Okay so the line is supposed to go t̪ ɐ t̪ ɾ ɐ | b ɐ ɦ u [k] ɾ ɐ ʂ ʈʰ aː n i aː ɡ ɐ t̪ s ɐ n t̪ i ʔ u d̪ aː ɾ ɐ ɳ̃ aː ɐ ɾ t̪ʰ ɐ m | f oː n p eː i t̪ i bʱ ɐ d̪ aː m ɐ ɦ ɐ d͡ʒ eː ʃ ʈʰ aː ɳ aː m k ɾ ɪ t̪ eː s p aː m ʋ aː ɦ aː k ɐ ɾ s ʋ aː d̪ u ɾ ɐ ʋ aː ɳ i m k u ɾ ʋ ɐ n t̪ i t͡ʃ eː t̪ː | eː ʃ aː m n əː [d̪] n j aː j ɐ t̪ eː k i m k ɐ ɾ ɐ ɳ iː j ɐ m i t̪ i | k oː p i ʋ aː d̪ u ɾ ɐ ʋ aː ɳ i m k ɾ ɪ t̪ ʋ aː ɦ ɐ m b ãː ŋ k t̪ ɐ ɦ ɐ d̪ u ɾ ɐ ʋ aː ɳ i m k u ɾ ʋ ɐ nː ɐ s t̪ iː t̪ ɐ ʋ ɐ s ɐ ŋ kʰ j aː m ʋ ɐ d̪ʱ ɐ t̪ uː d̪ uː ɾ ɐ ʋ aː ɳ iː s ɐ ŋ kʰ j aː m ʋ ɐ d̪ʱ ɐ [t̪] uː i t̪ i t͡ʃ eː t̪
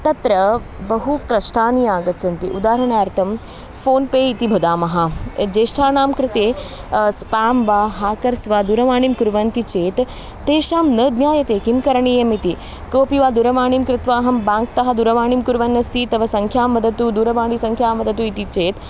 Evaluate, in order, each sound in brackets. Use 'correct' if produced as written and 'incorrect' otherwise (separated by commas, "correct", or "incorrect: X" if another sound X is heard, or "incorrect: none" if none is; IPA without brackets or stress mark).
correct, correct, correct